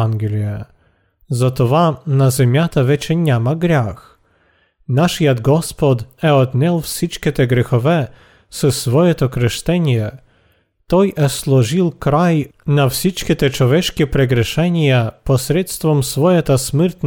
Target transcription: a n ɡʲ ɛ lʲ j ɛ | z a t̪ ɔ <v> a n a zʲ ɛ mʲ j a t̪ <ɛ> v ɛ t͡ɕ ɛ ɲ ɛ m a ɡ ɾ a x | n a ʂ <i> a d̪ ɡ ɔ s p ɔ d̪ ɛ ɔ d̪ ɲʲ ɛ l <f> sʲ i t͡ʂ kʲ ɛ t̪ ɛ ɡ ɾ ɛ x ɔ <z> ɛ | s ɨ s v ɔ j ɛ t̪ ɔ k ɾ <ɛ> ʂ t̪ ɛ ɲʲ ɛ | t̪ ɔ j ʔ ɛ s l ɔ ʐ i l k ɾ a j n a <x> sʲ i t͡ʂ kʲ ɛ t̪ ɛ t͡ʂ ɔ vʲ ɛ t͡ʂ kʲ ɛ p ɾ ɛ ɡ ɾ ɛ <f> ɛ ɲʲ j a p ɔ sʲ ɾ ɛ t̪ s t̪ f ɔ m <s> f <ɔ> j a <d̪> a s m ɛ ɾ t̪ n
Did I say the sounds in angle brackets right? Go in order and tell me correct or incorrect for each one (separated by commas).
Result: correct, incorrect, incorrect, correct, incorrect, correct, incorrect, incorrect, correct, correct, incorrect